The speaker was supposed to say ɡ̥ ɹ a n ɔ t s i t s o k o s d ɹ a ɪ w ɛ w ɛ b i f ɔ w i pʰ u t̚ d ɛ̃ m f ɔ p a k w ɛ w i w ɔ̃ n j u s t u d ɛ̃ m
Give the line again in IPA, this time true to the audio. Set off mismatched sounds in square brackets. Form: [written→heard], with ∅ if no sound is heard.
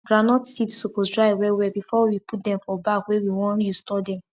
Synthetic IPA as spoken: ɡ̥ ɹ a n ɔ t s i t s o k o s d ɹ a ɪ w ɛ w ɛ b i f ɔ w i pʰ u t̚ d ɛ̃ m f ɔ [p→b] a k w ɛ w i w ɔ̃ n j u s t [u→ɔ] d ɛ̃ m

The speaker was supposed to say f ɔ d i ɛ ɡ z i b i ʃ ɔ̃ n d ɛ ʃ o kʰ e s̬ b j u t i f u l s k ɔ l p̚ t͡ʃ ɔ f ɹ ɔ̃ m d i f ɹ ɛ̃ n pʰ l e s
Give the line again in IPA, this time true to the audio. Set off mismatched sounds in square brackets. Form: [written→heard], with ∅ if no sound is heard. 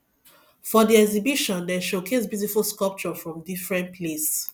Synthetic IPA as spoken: f ɔ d i ɛ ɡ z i b i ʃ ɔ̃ n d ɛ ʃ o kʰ e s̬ b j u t i f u l s k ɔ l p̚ t͡ʃ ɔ f ɹ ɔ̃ m d i f ɹ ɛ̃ n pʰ l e s

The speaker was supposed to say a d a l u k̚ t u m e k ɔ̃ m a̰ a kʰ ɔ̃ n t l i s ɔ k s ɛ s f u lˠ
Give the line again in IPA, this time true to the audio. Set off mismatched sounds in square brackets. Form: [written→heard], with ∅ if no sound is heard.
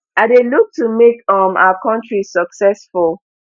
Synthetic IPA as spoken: a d [a→e] l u k̚ t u m e k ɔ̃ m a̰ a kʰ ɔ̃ n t [l→ɹ] i s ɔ k s ɛ s f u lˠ

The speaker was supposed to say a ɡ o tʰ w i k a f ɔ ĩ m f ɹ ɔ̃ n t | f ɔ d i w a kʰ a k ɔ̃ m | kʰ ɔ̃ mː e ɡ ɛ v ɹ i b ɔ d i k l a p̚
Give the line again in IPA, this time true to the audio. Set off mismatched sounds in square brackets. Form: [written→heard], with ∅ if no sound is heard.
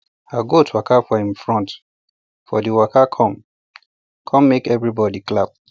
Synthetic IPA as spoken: a ɡ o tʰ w [i→a] k a f ɔ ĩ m f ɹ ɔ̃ n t | f ɔ d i w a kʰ a [k→kʰ] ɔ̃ m | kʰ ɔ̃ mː e [ɡ→k] ɛ v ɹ i b ɔ d i k l a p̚

